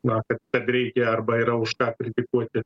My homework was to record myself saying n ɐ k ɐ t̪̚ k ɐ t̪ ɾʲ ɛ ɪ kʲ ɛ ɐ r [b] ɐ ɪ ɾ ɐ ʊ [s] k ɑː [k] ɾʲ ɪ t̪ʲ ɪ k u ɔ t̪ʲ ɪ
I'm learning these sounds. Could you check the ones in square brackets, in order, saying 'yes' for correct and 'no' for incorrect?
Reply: yes, no, yes

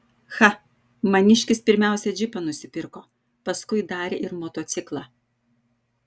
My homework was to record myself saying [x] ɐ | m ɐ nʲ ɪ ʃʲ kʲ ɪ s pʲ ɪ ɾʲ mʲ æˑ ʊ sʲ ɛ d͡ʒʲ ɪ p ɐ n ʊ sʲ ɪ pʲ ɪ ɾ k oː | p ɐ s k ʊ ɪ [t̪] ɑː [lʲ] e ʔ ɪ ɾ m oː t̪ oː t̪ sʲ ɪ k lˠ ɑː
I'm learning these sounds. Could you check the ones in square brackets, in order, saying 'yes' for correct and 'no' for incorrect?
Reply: yes, no, no

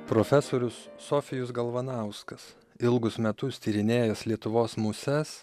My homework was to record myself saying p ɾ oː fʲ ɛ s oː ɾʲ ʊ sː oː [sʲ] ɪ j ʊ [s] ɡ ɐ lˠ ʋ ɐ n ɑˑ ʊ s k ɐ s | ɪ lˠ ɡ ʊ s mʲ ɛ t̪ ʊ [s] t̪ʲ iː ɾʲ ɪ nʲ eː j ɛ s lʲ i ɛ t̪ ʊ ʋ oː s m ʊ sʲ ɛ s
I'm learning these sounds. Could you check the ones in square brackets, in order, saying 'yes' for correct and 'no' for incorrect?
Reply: no, yes, yes

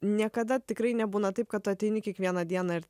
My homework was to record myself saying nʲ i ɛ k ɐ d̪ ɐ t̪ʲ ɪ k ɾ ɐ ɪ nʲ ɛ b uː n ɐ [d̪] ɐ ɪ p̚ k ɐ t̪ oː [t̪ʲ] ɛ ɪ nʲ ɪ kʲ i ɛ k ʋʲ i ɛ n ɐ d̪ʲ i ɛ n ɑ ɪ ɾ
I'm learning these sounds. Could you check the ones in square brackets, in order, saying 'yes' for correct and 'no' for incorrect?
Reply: no, yes

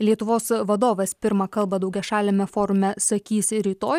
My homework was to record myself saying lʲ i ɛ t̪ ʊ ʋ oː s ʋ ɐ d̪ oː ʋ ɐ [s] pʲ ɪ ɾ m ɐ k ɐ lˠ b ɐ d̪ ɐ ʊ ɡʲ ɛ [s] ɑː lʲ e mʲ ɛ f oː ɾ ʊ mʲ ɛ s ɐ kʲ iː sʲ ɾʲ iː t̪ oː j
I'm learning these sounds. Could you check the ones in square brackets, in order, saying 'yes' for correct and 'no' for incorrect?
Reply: yes, no

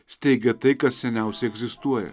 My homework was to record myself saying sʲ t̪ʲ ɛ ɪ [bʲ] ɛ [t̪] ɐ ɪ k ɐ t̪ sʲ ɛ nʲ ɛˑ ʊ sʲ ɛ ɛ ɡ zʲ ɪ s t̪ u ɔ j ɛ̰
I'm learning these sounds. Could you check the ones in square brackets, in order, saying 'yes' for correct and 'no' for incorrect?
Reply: no, yes

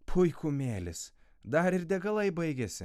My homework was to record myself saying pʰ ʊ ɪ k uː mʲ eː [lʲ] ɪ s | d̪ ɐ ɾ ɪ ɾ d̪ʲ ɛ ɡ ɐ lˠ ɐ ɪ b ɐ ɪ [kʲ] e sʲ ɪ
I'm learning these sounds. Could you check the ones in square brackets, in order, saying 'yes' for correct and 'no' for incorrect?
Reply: yes, no

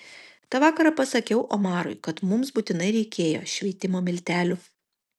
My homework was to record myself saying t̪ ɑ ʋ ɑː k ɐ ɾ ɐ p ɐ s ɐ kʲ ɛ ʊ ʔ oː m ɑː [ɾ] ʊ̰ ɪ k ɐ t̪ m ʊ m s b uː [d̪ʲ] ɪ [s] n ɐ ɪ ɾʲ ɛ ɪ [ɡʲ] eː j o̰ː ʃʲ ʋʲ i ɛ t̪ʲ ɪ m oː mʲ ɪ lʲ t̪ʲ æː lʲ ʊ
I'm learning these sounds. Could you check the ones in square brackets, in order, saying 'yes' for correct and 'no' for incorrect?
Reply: yes, no, no, no

